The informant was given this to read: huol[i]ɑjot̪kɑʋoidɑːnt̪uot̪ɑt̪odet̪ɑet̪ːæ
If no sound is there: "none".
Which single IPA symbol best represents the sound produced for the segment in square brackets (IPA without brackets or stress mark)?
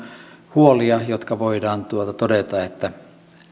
i